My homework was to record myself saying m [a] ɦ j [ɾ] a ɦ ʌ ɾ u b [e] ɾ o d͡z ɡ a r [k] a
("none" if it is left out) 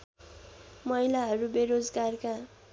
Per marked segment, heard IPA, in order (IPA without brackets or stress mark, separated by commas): ʌ, l, e, k